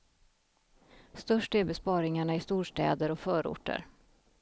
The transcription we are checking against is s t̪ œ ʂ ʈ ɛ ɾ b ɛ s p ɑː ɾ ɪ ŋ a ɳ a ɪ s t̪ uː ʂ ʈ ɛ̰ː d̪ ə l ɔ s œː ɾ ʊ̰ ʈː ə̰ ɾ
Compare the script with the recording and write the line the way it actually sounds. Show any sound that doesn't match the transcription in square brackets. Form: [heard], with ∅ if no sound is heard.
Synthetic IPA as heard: s t̪ œ ʂ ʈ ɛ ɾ b ɛ s p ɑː ɾ ɪ ŋ a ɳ a ɪ s t̪ uː ʂ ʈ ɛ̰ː d̪ ə [ɾ] ɔ [f] œː ɾ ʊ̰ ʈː ə̰ ɾ